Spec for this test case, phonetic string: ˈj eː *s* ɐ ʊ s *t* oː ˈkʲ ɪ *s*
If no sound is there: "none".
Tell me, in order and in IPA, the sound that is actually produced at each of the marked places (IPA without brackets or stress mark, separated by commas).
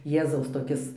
z, t, s